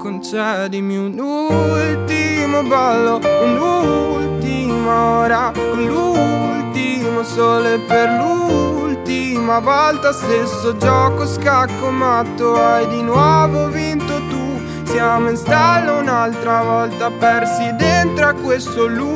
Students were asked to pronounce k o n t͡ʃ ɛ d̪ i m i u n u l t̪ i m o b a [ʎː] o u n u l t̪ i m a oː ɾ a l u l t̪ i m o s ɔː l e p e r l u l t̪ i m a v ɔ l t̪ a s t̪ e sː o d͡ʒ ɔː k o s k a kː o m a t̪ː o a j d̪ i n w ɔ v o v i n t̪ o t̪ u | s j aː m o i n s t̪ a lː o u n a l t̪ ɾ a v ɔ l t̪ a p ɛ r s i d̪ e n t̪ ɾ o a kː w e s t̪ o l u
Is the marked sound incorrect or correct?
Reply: incorrect